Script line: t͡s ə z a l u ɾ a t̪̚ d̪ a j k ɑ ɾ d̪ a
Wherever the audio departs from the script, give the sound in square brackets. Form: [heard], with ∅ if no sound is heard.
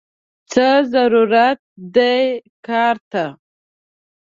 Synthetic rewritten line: t͡s ə z a [ɾ] u ɾ a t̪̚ d̪ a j k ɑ ɾ [t̪] a